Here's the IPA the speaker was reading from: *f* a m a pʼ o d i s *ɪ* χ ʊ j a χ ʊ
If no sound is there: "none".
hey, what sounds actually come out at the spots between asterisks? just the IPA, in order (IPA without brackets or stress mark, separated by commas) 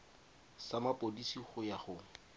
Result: s, i